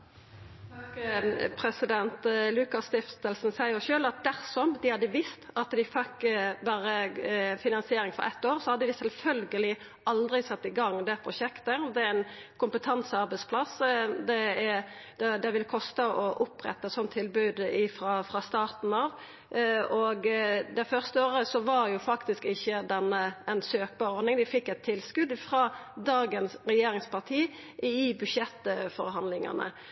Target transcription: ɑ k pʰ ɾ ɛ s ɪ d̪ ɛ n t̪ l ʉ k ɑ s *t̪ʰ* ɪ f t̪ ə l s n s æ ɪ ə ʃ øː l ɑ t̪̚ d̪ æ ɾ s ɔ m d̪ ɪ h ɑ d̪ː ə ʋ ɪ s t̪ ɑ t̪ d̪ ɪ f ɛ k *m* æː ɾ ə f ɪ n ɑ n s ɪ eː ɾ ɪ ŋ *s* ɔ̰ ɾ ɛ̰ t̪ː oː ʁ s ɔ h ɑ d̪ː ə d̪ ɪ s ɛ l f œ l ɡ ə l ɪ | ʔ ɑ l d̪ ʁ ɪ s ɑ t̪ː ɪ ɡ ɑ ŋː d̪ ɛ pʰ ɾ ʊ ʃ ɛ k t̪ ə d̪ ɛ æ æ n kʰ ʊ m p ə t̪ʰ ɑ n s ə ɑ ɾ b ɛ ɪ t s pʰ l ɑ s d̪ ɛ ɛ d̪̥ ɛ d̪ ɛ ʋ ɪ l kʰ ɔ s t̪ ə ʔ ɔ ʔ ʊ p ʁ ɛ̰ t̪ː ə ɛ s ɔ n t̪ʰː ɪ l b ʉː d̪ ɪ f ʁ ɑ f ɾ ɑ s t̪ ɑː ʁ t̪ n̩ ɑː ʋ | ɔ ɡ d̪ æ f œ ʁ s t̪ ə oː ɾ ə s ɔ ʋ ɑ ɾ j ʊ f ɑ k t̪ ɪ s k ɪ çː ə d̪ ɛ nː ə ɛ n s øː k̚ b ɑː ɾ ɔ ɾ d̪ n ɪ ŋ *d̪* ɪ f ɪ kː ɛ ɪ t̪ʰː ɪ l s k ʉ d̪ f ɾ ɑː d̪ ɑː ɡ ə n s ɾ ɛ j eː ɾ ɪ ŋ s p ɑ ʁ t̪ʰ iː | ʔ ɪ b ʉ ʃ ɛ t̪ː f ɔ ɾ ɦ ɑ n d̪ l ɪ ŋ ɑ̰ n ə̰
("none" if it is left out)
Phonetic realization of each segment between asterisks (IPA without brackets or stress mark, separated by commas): t̪, b, f, d̪